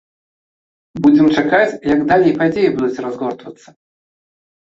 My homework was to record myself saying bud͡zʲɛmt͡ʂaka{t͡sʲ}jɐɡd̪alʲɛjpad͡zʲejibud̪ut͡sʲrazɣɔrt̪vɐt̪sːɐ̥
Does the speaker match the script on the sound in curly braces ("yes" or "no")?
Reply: yes